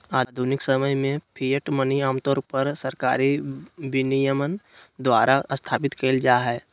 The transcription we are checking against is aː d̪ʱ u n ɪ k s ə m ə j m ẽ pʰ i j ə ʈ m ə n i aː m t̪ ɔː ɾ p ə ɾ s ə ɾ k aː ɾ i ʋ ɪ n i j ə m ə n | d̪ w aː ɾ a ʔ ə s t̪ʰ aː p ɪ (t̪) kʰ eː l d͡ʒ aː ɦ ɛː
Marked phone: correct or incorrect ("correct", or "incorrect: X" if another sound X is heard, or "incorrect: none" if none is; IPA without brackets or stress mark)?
correct